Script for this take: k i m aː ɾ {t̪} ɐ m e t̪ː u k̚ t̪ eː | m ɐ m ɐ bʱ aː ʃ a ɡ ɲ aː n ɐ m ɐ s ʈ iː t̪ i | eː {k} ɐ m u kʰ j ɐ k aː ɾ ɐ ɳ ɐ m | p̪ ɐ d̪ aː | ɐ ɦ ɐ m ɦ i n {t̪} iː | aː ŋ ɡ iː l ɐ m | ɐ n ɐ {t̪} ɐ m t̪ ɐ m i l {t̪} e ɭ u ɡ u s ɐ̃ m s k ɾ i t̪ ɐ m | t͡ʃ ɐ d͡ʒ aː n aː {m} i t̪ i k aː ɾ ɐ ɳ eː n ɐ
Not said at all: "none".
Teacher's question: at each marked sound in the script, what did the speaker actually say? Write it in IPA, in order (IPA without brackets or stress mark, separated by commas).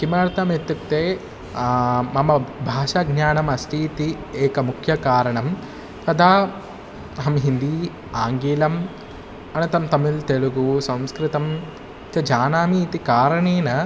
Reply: t̪, k, d̪, t̪, t̪, m